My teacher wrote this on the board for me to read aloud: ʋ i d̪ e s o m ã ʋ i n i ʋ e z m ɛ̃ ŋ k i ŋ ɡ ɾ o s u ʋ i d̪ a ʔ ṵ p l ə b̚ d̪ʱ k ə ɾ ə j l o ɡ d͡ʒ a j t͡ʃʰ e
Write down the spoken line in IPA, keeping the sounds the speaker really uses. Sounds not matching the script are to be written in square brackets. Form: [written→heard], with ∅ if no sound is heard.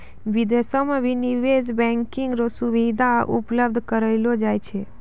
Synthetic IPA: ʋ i d̪ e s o m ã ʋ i n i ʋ e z [m→b] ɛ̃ ŋ k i ŋ ɡ ɾ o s u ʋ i d̪ a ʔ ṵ p l ə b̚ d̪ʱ k ə ɾ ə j l o [ɡ→∅] d͡ʒ a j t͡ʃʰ e